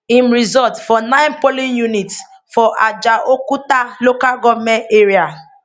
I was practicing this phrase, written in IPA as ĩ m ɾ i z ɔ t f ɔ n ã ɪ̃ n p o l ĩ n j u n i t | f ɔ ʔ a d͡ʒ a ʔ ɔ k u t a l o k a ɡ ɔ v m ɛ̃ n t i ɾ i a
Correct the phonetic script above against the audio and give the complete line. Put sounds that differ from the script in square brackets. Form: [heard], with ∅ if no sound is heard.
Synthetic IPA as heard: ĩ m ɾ i z ɔ t f ɔ n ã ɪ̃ n p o l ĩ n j u n i t | f ɔ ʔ a d͡ʒ a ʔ [o] k u t a l o k a ɡ ɔ v m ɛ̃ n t [e] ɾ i a